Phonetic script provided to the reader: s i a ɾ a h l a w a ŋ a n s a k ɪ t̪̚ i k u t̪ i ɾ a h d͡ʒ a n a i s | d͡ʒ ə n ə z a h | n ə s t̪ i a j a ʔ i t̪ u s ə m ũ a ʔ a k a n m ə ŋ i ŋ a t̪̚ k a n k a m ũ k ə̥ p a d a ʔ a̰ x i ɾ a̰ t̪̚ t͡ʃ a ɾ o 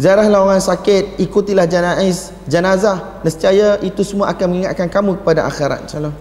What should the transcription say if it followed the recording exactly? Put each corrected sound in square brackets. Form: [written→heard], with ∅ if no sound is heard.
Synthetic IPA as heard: [s→z] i a ɾ a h l a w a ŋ a n s a k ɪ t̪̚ i k u t̪ i [ɾ→l] a h d͡ʒ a n a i s | d͡ʒ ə n [ə→a] z a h | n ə s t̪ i a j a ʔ i t̪ u s ə m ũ a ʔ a k a n m ə ŋ i ŋ a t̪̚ k a n k a m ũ k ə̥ p a d a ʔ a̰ x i ɾ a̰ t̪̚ t͡ʃ a [ɾ→l] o